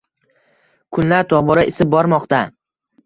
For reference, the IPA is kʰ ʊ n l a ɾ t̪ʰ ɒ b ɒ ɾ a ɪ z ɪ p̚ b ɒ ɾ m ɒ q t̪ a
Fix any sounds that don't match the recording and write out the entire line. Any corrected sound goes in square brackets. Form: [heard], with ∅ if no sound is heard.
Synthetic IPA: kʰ ʊ n l a ɾ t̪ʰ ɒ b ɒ ɾ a ɪ [s] ɪ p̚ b ɒ ɾ m ɒ q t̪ a